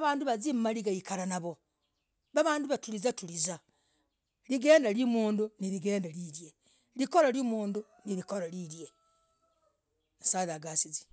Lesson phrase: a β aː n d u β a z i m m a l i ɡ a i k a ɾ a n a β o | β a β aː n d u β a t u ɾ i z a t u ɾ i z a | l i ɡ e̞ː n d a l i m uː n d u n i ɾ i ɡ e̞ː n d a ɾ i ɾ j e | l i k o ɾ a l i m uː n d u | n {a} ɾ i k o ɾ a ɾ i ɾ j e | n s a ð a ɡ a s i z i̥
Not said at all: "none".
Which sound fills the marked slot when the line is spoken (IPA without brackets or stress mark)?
i